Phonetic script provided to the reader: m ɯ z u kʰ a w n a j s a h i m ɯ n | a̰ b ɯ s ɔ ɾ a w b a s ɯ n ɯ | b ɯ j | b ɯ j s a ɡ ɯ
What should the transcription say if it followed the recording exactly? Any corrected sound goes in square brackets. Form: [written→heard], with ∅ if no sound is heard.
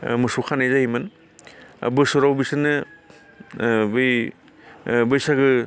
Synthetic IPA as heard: m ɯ [z→s] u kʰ a [w→∅] n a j [s→z] a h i m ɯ n | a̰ b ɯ s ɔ ɾ a w b [a→i] s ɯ n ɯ | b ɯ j | b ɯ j s a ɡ ɯ